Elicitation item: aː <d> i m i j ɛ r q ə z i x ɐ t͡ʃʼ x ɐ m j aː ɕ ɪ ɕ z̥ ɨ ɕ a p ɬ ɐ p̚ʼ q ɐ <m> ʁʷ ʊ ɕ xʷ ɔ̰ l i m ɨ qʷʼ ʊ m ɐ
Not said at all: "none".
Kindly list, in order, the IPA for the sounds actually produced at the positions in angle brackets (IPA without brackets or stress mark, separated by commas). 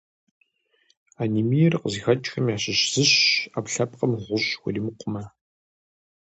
n, m